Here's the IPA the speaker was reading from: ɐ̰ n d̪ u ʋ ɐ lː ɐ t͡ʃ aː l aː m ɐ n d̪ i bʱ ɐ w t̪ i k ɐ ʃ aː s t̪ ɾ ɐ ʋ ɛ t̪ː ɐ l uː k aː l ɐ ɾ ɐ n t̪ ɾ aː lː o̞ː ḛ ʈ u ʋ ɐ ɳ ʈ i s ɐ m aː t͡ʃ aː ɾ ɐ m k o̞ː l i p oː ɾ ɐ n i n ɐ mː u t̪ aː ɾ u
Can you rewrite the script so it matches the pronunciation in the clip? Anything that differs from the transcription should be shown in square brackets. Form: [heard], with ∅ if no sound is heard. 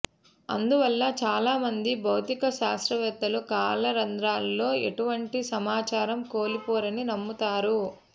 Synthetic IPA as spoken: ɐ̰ n d̪ u ʋ ɐ lː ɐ t͡ʃ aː l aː m ɐ n d̪ i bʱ ɐ w t̪ i k ɐ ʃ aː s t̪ ɾ ɐ ʋ ɛ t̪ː ɐ l [u] k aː l ɐ ɾ ɐ n [d̪] ɾ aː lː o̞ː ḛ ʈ u ʋ ɐ ɳ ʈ i s ɐ m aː t͡ʃ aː ɾ ɐ m k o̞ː l i p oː ɾ ɐ n i n ɐ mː u t̪ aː ɾ u